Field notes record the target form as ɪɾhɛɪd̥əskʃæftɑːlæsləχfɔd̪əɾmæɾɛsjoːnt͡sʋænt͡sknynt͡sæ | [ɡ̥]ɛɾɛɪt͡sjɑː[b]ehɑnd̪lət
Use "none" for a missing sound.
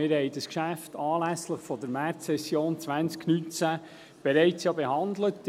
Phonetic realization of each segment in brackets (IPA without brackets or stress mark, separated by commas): b̥, b